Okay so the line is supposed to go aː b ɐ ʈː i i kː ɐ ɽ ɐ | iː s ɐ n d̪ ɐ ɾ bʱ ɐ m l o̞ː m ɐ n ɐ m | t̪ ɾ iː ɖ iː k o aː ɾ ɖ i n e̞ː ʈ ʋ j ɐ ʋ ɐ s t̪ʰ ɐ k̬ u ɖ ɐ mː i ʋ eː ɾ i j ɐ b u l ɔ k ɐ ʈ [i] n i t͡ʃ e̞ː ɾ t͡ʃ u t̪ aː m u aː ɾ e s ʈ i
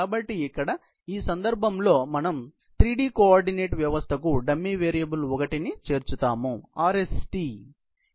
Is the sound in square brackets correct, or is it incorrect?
correct